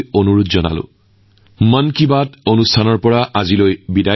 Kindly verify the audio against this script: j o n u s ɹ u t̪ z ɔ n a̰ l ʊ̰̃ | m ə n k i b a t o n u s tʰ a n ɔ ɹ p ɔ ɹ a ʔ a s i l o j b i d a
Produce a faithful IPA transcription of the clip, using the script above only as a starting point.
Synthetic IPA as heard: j o n u ɹ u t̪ z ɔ n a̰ l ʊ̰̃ | m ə n k i b a t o n u s tʰ a n ɔ ɹ p ɔ ɹ a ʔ a z i l o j b i d a

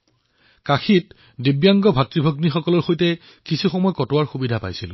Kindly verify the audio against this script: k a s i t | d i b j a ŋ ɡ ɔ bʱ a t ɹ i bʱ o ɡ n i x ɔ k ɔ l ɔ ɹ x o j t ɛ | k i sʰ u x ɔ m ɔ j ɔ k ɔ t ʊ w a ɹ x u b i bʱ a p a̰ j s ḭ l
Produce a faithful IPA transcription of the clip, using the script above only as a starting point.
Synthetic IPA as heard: k a x i t | d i b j a ŋ ɡ ɔ bʱ a t ɹ i bʱ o ɡ n i x ɔ k ɔ l ɔ ɹ x o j t ɛ | k i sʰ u x ɔ m ɔ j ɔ k ɔ t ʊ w a ɹ x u b i dʱ a p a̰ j s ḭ l

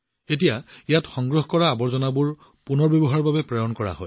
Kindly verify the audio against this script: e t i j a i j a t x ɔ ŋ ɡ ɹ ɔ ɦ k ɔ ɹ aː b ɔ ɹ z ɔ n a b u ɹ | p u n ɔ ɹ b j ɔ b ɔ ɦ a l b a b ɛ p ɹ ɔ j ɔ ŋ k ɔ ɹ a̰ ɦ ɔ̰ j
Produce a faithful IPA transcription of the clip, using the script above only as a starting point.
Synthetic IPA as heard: e t i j a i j a t x ɔ ŋ ɡ ɹ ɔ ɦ k ɔ ɹ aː b ɔ ɹ z ɔ n a b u ɹ | p u n ɔ ɹ b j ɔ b ɔ ɦ a ɹ b a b ɛ p ɹ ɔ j ɔ n k ɔ ɹ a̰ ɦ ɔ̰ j

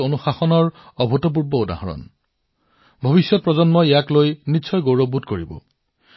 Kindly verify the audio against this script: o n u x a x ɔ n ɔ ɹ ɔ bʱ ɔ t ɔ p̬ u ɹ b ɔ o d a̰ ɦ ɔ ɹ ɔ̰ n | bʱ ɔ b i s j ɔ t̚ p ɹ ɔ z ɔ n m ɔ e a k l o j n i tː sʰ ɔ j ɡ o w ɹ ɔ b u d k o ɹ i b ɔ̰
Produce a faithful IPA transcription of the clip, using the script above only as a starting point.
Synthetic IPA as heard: o n u x a x ɔ n ɔ ɹ ɔ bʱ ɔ t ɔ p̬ u ɹ b ɔ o d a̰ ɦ ɔ ɹ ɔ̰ n | bʱ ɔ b i s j ɔ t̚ p ɹ ɔ z ɔ n m ɔ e a k l o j n i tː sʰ ɔ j ɡ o w ɹ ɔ b u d k o ɹ i b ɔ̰

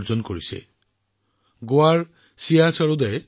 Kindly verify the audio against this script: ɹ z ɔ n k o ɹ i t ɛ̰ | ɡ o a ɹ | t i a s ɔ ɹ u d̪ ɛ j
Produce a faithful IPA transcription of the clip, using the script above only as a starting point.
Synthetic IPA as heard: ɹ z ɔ n k o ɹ i s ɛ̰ | ɡ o a ɹ | s i a s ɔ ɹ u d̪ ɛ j

